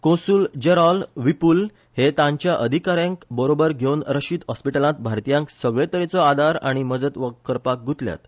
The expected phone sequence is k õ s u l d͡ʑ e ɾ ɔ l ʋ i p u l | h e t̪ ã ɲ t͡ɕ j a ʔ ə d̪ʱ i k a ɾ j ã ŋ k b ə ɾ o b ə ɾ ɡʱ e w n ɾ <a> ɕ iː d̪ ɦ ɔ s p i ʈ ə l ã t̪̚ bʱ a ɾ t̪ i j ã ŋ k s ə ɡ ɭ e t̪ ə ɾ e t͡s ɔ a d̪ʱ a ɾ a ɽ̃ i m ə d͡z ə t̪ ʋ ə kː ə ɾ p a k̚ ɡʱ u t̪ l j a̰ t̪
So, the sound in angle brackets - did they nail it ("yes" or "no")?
no